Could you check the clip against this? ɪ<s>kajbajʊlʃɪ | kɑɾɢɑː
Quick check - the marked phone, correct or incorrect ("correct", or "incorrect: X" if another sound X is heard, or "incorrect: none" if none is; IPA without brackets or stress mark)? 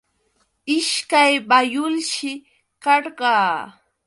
incorrect: ʃ